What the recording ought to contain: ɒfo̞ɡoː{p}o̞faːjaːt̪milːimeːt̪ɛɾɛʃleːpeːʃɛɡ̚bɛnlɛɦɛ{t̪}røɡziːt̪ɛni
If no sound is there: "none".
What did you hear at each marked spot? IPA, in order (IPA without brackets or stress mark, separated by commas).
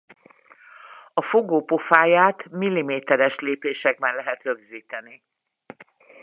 p, t̪